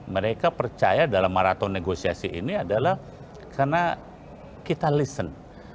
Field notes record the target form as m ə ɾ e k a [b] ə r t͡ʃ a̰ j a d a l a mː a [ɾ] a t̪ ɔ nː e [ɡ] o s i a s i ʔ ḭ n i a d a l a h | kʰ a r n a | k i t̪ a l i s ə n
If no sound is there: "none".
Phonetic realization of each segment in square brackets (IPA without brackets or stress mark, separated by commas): p, ɾ, ɡ